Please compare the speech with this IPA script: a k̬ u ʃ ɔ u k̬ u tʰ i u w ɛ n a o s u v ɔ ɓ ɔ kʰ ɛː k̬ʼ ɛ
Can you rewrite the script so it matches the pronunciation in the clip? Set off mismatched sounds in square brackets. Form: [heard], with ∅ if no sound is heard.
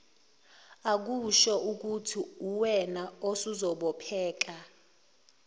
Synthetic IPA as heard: a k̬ u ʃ ɔ u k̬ u tʰ i u w ɛ n a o s u [z] ɔ ɓ ɔ [pʰ] ɛː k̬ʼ [a]